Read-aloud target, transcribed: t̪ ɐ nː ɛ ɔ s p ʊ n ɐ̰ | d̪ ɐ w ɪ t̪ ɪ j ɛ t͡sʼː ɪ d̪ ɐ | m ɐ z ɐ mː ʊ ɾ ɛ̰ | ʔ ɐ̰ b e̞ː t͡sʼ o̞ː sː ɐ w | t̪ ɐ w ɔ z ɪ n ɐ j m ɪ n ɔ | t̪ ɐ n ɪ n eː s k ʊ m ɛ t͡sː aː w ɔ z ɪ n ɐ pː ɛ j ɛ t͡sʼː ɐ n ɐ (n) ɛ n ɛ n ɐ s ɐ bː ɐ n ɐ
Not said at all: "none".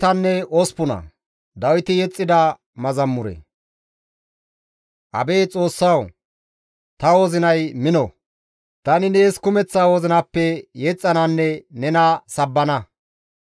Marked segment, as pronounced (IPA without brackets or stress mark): nː